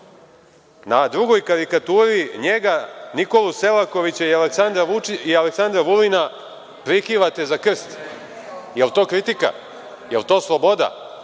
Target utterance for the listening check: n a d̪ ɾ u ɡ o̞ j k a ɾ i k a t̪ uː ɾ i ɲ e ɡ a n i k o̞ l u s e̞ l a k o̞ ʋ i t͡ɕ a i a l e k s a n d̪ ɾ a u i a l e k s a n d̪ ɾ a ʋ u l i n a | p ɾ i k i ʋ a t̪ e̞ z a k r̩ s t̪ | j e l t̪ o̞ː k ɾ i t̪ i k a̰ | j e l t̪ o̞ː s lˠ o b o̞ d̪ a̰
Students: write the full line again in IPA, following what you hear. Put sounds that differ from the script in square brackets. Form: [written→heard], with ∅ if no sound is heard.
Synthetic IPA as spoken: n a d̪ ɾ u ɡ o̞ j k a ɾ i k a t̪ uː ɾ i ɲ e ɡ a n i k o̞ l u s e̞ l a k o̞ ʋ i t͡ɕ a i a l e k s a n d̪ ɾ a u i a l e k s a n d̪ ɾ a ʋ u l i n a | p ɾ i k i ʋ a t̪ e̞ z a k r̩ s t̪ | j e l t̪ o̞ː k ɾ i t̪ i k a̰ | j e l t̪ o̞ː s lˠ o b o̞ d̪ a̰

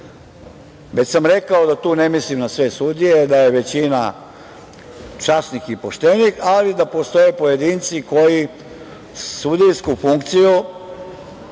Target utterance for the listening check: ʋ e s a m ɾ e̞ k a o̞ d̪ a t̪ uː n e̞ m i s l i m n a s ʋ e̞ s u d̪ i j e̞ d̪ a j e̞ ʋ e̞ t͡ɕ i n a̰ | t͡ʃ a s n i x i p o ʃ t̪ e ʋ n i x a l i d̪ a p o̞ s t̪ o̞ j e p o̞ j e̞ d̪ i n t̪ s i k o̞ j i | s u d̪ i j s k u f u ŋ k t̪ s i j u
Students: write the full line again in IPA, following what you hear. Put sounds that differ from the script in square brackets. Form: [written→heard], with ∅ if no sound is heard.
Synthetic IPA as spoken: ʋ e s a m ɾ e̞ k a o̞ d̪ a t̪ uː n e̞ m i s l i m n a s ʋ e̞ s u d̪ i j e̞ d̪ a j e̞ ʋ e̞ t͡ɕ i n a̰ | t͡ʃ a s n i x i p o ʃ t̪ e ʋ n i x a l i d̪ a p o̞ s t̪ o̞ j e p o̞ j e̞ d̪ i n t̪ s i k o̞ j i | s u d̪ i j s k u f u ŋ k t̪ s i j u

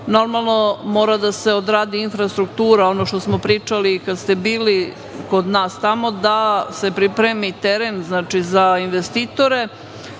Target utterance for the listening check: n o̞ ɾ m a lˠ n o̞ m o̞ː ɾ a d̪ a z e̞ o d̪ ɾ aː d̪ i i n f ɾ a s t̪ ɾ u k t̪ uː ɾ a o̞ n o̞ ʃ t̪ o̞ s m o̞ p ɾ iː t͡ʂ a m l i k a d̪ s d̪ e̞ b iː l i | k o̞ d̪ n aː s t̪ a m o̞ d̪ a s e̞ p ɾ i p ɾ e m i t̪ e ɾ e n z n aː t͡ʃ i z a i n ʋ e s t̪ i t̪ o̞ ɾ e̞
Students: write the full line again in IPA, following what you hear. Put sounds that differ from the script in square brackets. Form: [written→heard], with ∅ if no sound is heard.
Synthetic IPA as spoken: n o̞ ɾ m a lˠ n o̞ m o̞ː ɾ a d̪ a [z→s] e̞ o d̪ ɾ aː d̪ i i n f ɾ a s t̪ ɾ u k t̪ uː ɾ a o̞ n o̞ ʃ t̪ o̞ s m o̞ p ɾ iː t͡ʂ a [m→∅] l i k a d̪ s [d̪→t̪] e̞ b iː l i | k o̞ d̪ n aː s t̪ a m o̞ d̪ a s e̞ p ɾ i p ɾ e m i t̪ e ɾ e n z n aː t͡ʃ i z a i n ʋ e s t̪ i t̪ o̞ ɾ e̞

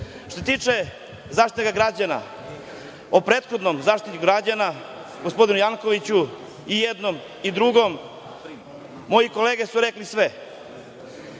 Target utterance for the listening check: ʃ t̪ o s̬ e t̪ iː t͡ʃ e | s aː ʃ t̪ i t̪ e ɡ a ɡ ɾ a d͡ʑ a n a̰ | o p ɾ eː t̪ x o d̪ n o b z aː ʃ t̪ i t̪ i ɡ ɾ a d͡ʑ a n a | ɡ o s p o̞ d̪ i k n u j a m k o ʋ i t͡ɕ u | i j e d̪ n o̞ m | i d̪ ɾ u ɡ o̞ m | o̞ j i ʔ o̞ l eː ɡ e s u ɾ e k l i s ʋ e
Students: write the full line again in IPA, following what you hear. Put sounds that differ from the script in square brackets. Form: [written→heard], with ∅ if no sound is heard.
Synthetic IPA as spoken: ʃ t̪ o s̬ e t̪ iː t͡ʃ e | [s→z] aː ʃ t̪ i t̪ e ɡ a ɡ ɾ a d͡ʑ a n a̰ | o p ɾ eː t̪ x o d̪ n o [b→m] z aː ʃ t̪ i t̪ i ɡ ɾ a d͡ʑ a n a | ɡ o s p o̞ d̪ i [k→∅] n u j a [m→ŋ] k o ʋ i t͡ɕ u | i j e d̪ n o̞ m | i d̪ ɾ u ɡ o̞ m | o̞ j i [ʔ→k] o̞ l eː ɡ e s u ɾ e k l i s ʋ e

